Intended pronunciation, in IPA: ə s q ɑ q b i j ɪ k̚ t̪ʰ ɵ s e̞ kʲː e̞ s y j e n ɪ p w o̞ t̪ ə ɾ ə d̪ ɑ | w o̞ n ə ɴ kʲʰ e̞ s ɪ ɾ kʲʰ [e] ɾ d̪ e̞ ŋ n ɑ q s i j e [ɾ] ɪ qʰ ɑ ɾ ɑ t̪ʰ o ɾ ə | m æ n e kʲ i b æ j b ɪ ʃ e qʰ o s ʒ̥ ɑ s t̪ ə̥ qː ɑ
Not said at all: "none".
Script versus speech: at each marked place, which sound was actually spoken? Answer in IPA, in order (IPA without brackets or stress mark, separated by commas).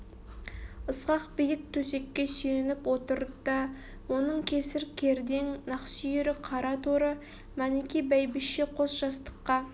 e, ɾ